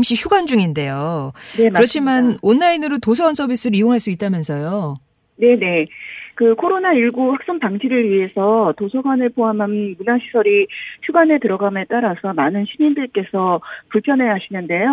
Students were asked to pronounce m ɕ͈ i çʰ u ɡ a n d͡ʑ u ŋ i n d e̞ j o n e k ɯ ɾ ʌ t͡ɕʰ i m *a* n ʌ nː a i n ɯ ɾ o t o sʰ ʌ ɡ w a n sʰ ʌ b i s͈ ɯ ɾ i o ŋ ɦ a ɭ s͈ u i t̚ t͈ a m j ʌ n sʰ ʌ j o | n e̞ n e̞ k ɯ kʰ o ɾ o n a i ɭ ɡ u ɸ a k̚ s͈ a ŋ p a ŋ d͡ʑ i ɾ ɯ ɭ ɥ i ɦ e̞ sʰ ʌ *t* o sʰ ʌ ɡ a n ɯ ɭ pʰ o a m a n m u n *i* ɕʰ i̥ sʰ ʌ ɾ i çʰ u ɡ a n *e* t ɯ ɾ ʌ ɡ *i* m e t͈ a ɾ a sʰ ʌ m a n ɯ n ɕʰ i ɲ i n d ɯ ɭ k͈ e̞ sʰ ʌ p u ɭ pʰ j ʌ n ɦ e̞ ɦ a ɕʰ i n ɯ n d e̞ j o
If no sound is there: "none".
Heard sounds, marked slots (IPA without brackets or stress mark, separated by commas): a, t, a, e, a